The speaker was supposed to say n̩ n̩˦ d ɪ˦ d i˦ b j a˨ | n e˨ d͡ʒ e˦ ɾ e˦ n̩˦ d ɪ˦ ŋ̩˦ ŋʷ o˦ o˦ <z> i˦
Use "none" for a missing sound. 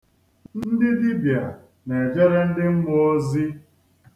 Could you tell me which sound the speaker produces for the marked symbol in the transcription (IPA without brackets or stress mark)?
z